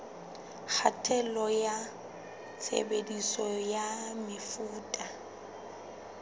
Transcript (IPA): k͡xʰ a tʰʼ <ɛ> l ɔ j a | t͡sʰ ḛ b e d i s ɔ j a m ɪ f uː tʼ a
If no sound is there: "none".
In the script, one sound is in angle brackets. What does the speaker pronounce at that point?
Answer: ɛ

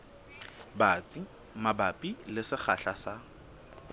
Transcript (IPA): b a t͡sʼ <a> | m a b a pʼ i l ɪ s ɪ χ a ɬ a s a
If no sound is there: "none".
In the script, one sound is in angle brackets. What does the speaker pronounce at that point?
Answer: i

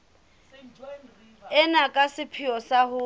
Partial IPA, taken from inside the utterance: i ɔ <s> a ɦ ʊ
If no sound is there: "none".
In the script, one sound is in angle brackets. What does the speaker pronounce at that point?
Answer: s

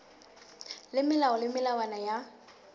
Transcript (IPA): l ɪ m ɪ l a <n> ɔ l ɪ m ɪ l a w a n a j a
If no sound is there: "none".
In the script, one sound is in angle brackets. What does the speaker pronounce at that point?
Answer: none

